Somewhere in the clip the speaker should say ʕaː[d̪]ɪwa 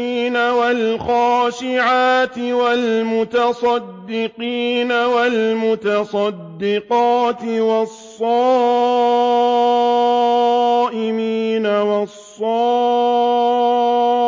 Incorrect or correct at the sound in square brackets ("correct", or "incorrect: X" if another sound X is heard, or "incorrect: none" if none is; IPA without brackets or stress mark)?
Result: incorrect: t̪